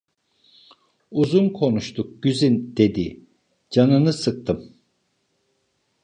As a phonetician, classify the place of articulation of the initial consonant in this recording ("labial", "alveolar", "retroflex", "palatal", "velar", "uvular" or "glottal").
alveolar